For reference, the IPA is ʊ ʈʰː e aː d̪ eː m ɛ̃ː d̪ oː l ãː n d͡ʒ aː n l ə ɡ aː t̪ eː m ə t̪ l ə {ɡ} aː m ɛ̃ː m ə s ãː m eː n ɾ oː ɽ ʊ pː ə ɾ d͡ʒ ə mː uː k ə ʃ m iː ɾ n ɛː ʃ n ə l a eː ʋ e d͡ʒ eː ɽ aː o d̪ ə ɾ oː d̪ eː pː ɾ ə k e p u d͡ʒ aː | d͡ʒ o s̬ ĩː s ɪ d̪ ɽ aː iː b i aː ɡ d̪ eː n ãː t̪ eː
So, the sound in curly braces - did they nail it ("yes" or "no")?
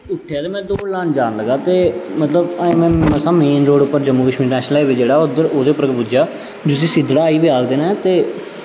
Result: no